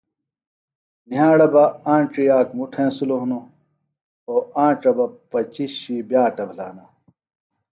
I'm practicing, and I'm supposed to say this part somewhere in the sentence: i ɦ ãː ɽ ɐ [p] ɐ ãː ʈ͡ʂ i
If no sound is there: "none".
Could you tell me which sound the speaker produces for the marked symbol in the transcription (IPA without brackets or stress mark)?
b